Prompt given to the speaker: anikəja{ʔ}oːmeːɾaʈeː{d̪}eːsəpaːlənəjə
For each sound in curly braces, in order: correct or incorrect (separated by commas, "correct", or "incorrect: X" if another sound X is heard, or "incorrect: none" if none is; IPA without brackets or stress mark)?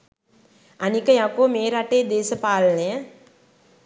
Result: incorrect: k, correct